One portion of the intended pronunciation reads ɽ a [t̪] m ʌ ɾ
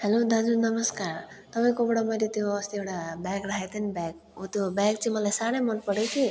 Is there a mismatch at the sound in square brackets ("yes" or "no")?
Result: yes